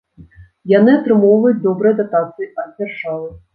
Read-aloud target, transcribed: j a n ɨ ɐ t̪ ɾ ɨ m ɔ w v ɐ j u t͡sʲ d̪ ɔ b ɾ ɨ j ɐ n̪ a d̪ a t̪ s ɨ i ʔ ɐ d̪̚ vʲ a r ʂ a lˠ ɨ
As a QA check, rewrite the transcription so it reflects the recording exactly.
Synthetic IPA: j a n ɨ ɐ t̪ ɾ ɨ m ɔ w v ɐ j u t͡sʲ d̪ ɔ b ɾ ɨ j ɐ d̪ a t̪ a t̪ s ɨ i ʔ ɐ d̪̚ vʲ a r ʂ a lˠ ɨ